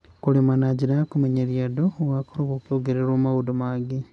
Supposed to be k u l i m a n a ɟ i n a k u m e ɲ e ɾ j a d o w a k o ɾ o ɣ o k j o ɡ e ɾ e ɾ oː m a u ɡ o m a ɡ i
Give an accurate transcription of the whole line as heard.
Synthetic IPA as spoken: k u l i m a n a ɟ i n a k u m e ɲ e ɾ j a d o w a k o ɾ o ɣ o k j o ɡ e ɾ e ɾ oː m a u d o m a ɡ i